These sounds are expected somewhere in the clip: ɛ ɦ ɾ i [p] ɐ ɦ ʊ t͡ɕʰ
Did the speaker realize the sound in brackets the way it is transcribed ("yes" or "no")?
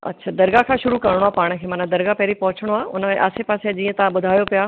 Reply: yes